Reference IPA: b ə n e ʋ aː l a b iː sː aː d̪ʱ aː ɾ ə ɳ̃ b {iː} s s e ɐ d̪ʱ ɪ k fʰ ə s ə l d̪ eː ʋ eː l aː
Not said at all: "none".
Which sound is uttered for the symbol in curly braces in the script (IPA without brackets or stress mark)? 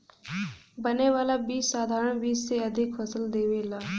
iː